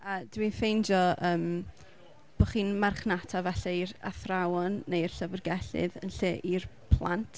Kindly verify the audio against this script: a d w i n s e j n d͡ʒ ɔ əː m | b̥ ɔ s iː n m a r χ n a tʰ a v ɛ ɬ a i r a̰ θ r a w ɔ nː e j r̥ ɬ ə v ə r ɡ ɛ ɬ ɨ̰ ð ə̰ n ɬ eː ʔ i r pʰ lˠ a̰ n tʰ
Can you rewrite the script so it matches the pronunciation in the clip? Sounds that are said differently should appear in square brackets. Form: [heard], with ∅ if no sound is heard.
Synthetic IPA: a d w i n [f] e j n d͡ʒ ɔ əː m | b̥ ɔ [χ] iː n m a r χ n a tʰ a v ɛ ɬ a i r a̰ θ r a w ɔ nː e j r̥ ɬ ə v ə r ɡ ɛ ɬ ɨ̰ ð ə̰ n ɬ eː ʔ i r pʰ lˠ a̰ n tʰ

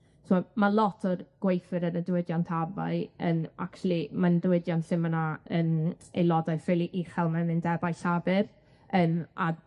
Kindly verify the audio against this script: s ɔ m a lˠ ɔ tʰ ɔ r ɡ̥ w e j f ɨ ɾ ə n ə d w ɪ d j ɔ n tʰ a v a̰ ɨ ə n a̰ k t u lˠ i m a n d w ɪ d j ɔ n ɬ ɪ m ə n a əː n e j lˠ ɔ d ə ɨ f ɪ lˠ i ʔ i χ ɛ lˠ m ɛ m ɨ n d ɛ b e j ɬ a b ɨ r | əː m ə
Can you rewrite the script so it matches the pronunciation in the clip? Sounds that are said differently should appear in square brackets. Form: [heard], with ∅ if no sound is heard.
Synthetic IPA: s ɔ m a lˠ ɔ tʰ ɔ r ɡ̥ w e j f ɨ ɾ ə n ə d w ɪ d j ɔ n tʰ a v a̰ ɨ ə n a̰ k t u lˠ i m a n d w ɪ d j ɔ n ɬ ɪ m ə n a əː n e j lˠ ɔ d [a] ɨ f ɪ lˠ i ʔ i χ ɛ lˠ m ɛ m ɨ n d ɛ b [a] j ɬ a b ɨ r | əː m [a]

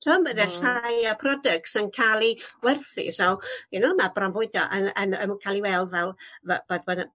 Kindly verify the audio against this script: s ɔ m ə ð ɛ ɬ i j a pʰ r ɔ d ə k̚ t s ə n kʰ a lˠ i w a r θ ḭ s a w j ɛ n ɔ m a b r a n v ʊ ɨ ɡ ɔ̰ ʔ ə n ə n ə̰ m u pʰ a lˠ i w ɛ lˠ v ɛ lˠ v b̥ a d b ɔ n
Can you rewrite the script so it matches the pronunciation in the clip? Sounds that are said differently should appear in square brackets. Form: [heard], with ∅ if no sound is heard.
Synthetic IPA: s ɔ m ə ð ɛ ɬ [a] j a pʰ r ɔ d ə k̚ t s ə n kʰ a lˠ i w [ɛ] r θ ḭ s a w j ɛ n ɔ m a b r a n v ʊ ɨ [d] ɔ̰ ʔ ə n ə n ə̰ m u [kʰ] a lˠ i w ɛ lˠ v ɛ lˠ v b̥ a d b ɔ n

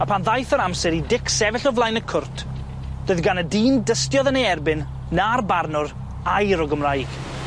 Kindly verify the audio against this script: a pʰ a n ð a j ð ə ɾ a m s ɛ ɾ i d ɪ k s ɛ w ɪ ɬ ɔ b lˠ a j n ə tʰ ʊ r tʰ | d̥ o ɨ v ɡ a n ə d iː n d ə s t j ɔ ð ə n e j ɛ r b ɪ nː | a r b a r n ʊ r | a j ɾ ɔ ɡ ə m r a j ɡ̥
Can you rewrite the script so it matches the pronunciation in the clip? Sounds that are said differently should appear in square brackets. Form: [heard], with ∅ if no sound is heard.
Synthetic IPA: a pʰ a n ð a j [θ] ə ɾ a m s ɛ ɾ i d ɪ k s ɛ [v] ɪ ɬ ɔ [v] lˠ a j n ə [kʰ] ʊ r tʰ | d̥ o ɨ [ð] ɡ a n ə d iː n d ə s t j ɔ ð ə n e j ɛ r b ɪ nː | a r b a r n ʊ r | a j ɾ ɔ ɡ ə m r a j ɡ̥

